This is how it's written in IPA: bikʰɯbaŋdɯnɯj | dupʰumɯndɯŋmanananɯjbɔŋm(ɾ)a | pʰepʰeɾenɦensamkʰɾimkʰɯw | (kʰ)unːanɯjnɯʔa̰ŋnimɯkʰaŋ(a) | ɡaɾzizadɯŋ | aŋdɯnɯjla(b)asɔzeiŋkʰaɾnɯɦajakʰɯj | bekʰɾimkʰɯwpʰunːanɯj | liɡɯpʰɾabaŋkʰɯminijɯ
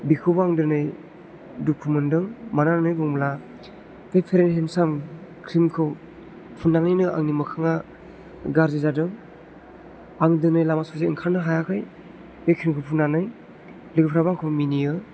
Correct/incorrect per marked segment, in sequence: incorrect, incorrect, correct, incorrect

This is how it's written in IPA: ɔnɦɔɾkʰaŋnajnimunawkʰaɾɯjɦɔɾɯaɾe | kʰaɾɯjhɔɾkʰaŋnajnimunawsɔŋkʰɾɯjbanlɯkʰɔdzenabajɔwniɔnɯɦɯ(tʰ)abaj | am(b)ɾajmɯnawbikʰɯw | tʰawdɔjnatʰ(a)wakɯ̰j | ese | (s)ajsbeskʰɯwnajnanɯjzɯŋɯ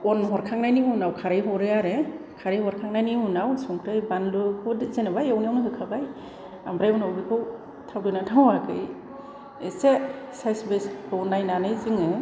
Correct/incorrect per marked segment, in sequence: incorrect, correct, correct, correct

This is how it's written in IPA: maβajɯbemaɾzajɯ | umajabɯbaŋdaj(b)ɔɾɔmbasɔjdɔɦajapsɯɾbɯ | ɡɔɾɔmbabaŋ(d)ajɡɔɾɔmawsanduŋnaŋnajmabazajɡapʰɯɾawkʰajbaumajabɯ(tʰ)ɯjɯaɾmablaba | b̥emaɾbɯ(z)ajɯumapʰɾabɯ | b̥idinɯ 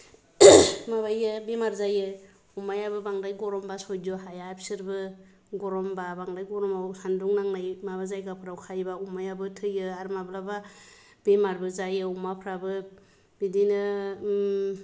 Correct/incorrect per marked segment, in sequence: incorrect, correct, correct, correct

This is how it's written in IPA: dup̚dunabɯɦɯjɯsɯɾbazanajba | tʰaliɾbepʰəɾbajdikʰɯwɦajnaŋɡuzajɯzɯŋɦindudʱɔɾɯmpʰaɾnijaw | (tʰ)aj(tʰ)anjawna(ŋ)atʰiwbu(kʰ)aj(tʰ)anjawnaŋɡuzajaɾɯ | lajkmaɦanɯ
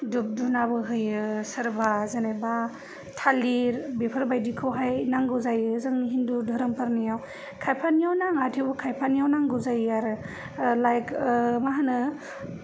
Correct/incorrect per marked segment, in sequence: incorrect, incorrect, correct, correct, incorrect

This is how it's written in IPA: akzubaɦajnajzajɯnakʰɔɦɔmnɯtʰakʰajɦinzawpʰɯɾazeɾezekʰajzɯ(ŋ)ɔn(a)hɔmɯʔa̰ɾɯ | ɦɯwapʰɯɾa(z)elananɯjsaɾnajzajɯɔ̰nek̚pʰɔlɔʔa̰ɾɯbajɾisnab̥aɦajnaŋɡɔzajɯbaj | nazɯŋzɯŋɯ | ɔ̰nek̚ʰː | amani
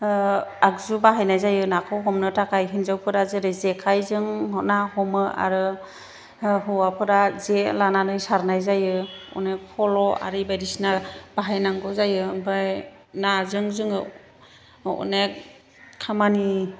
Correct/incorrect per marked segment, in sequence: correct, correct, correct

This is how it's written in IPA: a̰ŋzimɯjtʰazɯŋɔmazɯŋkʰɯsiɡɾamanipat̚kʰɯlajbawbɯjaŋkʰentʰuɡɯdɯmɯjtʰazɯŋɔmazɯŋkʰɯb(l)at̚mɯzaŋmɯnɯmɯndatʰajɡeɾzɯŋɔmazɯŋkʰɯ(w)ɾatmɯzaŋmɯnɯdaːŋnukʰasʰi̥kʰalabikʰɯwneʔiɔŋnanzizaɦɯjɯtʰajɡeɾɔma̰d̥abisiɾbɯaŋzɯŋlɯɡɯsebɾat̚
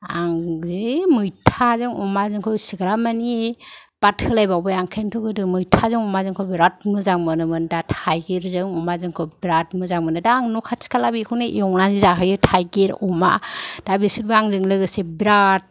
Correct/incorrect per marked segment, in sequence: incorrect, incorrect

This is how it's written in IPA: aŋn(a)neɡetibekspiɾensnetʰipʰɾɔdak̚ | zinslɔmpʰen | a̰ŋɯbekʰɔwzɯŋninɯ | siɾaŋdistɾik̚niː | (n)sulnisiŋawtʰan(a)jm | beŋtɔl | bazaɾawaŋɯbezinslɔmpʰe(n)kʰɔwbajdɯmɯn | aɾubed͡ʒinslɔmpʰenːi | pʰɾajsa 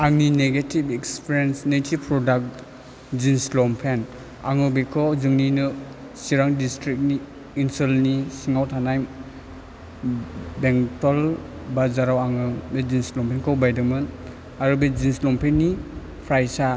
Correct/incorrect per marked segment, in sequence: incorrect, correct, correct, correct

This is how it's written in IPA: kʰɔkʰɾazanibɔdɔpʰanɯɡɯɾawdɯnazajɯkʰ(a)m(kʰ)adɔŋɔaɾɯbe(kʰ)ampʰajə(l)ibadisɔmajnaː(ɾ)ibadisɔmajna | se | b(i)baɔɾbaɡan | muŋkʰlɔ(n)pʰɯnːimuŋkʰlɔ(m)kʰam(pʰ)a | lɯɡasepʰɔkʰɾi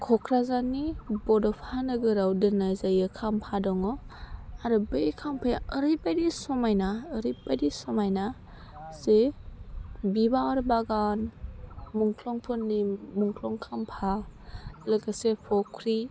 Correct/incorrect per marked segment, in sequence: correct, incorrect, correct, incorrect, correct, correct, incorrect, incorrect, correct

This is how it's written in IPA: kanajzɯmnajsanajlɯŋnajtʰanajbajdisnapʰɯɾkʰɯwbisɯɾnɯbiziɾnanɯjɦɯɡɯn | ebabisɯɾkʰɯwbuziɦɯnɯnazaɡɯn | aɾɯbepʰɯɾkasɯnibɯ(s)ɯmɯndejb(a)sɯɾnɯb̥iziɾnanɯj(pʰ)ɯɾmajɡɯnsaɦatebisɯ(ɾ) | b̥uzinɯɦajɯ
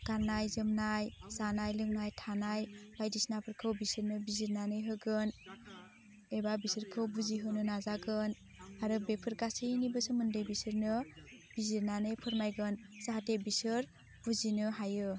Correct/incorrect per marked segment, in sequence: correct, incorrect, correct, correct

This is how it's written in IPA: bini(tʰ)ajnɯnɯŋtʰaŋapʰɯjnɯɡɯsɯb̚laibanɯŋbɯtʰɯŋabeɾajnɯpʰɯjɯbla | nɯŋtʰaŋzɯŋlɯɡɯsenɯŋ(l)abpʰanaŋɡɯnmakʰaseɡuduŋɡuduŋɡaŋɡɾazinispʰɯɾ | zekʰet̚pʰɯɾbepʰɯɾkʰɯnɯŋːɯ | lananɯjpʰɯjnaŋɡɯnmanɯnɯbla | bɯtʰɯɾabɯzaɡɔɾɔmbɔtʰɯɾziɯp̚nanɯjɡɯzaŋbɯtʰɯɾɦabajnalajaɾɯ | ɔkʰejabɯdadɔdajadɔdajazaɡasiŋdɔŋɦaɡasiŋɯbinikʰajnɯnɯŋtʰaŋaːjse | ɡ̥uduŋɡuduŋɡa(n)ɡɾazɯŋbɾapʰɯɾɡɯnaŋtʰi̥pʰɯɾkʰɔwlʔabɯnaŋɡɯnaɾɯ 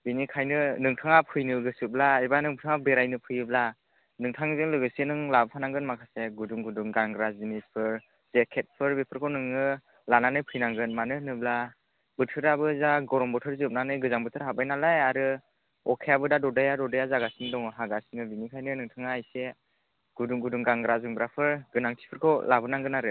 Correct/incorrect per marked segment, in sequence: incorrect, correct, incorrect

